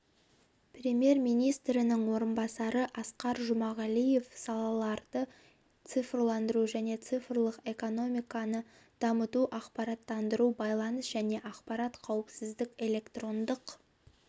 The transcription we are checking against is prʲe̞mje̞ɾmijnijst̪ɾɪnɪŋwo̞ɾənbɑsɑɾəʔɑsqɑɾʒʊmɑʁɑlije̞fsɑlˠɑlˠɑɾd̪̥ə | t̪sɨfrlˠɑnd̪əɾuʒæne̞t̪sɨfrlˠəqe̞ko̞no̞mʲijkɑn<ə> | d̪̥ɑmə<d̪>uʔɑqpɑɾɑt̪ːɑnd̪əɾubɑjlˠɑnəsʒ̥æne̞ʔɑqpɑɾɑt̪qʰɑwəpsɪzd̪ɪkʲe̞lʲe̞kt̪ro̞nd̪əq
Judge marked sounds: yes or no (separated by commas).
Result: yes, no